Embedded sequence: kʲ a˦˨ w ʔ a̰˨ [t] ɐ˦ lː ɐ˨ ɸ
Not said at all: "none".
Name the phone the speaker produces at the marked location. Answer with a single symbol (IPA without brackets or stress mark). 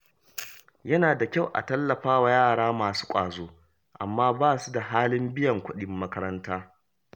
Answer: t